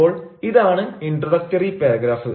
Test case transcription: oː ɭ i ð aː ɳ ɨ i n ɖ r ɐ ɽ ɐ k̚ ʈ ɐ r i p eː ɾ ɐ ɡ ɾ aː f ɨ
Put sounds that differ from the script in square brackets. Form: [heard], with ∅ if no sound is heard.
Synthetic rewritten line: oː ɭ i ð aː ɳ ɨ i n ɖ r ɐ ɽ ɐ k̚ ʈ ɐ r i p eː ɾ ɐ ɡ ɾ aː f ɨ

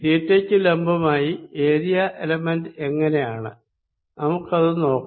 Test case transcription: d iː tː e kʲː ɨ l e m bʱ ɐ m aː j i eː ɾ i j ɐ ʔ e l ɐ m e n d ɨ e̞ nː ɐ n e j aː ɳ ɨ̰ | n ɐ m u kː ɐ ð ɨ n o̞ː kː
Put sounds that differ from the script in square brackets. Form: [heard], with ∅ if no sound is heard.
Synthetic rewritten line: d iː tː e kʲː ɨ l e m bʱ ɐ m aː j i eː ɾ i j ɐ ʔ e l ɐ m e n d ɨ e̞ [ŋː] ɐ n e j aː ɳ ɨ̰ | n ɐ m u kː ɐ ð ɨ n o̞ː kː

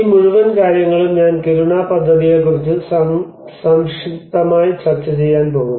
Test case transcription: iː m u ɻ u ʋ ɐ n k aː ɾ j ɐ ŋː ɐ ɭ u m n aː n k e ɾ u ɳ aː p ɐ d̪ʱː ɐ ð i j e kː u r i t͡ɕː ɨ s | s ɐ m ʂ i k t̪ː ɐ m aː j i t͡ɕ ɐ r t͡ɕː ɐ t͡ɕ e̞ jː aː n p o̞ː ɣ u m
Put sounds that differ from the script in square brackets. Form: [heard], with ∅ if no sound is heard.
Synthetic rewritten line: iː m u ɻ u ʋ ɐ n k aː ɾ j ɐ ŋː ɐ ɭ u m [ɲ] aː n k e ɾ u ɳ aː p ɐ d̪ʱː ɐ ð i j e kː u r i t͡ɕː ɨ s | s ɐ m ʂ i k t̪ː ɐ m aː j i t͡ɕ ɐ r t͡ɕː ɐ t͡ɕ e̞ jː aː n p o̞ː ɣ u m

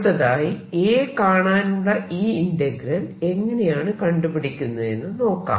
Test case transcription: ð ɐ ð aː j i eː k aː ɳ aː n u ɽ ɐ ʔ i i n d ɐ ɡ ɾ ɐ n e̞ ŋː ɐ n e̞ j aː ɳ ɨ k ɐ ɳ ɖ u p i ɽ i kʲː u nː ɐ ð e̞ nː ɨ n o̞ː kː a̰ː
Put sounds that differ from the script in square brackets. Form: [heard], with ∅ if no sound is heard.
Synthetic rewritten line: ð ɐ ð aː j i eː k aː ɳ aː n u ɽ ɐ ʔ [iː] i n d ɐ ɡ ɾ ɐ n e̞ ŋː ɐ n e̞ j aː ɳ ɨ k ɐ ɳ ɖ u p i ɽ i kʲː u nː ɐ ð e̞ nː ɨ n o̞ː kː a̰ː

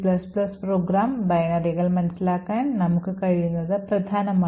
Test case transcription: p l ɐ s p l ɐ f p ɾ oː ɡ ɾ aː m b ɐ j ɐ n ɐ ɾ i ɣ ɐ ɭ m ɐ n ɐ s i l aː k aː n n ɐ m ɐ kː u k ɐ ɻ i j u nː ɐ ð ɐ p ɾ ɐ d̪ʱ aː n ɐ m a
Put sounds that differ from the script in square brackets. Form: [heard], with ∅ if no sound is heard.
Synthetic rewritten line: p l ɐ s p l ɐ [s] p ɾ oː ɡ ɾ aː m b ɐ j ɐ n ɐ ɾ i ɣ ɐ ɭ m ɐ n ɐ s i l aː k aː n n ɐ m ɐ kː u k ɐ ɻ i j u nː ɐ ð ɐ p ɾ ɐ d̪ʱ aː n ɐ m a

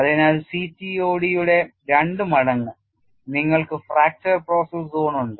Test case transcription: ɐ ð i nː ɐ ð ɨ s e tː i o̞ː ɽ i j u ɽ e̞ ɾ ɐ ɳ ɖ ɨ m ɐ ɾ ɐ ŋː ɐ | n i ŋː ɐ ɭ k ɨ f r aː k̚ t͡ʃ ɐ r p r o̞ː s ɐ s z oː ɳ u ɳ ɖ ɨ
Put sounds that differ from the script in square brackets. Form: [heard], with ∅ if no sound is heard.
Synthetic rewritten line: ɐ ð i [n] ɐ ð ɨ s [i] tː i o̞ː ɽ i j u ɽ e̞ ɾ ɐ ɳ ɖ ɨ m ɐ [ɽ] ɐ ŋː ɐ | n i ŋː ɐ ɭ k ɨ f r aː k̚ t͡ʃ ɐ r p r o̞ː s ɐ s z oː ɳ u ɳ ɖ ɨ

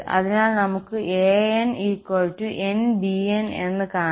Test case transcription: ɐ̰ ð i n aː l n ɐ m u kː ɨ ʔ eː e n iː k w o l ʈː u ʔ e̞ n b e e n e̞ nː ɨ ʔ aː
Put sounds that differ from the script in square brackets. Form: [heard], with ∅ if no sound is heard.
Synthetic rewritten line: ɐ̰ ð i n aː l n ɐ m u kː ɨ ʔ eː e n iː k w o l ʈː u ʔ e̞ n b [i] e n e̞ nː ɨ [k] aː

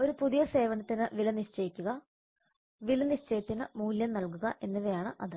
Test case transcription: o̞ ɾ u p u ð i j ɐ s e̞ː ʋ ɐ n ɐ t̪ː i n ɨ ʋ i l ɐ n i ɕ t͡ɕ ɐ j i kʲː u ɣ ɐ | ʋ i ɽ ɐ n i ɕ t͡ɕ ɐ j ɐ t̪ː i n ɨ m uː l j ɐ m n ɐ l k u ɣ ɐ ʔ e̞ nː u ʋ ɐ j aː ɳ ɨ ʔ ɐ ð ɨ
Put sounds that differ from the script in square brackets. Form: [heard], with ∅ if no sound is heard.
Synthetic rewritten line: o̞ ɾ u p u ð i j ɐ s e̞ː ʋ ɐ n ɐ t̪ː i n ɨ ʋ i l ɐ n i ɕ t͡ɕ ɐ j i kʲː u ɣ ɐ | ʋ i [l] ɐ n i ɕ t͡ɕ ɐ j ɐ t̪ː i n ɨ m uː l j ɐ m n ɐ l k u ɣ ɐ ʔ e̞ nː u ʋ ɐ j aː ɳ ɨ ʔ ɐ ð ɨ

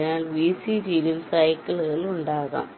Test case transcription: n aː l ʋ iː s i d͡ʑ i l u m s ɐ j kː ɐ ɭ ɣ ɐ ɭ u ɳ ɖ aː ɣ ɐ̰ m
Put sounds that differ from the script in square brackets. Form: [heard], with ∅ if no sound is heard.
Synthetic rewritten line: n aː l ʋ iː s i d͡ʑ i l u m s ɐ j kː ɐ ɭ ɣ ɐ ɭ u ɳ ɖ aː ɣ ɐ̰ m

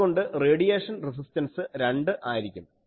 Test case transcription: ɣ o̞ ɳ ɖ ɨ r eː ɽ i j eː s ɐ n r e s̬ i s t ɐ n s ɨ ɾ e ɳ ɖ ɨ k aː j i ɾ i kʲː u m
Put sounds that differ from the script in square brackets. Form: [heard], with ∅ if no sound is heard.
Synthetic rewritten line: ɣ o̞ ɳ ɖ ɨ r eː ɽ i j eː [ʂ] ɐ n r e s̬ i s t ɐ n s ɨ ɾ e ɳ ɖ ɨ [ʔ] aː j i ɾ i kʲː u m

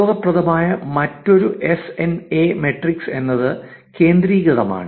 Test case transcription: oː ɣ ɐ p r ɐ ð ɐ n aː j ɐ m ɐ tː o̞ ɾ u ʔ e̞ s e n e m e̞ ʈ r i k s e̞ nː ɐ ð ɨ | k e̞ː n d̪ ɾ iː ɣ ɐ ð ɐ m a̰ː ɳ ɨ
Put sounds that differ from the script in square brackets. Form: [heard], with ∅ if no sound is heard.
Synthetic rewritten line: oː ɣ ɐ p r ɐ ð ɐ [m] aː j ɐ m ɐ tː o̞ ɾ u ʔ e̞ s e n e m e̞ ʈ r i k s e̞ nː ɐ ð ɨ | k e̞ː n d̪ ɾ iː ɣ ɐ ð ɐ m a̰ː ɳ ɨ

